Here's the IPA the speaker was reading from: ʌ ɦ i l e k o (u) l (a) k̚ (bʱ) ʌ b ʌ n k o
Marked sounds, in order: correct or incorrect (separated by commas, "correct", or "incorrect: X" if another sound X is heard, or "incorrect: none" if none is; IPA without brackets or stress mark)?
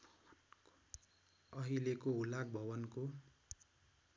correct, correct, correct